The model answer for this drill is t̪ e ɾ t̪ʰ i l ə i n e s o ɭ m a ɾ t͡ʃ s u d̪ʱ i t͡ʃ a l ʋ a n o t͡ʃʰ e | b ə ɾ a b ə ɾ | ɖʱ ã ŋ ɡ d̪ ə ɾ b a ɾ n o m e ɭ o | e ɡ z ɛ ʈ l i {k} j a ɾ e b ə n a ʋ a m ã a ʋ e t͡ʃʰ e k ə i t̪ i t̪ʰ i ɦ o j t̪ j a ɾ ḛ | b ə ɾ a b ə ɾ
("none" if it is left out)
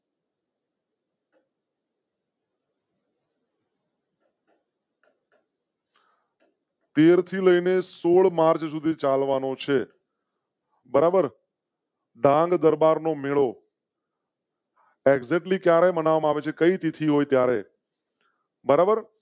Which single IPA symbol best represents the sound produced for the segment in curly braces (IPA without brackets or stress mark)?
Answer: k